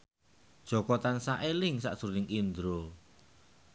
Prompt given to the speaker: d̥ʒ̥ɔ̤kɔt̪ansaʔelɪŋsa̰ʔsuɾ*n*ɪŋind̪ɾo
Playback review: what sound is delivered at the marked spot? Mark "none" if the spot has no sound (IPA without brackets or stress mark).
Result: n